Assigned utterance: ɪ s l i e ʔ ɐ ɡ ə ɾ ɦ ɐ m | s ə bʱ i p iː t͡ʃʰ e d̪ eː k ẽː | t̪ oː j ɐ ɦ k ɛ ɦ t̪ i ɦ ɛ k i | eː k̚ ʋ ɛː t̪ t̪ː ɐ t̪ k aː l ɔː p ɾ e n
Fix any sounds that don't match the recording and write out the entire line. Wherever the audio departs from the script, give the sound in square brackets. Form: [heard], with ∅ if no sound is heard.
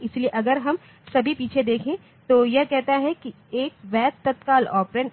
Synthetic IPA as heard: ɪ s l i e ʔ ɐ ɡ ə ɾ ɦ ɐ m | s [ɐ] bʱ i p iː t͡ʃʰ e d̪ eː [kʰ] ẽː | t̪ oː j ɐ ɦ k ɛ ɦ t̪ [a] ɦ ɛ k i | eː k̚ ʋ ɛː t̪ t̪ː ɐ t̪ k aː l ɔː p ɾ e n